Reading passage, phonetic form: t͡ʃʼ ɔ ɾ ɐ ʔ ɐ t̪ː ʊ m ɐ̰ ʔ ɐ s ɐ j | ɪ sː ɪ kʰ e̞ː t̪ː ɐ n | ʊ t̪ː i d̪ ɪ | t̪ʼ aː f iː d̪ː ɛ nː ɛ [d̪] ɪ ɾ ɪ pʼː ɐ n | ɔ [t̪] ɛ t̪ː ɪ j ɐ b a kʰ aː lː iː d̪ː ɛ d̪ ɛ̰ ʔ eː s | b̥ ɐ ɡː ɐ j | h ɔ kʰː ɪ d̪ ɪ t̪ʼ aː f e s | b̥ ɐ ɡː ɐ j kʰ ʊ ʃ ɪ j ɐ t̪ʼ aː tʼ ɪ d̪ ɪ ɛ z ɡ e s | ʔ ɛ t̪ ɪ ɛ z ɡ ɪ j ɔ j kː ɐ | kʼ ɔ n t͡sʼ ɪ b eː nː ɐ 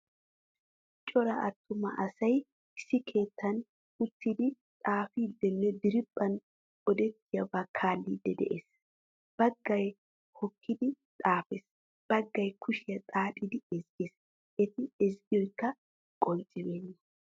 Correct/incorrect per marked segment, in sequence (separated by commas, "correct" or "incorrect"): correct, incorrect